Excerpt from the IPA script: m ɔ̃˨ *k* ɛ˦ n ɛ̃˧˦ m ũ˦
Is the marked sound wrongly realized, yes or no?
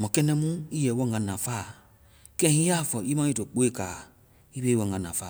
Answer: no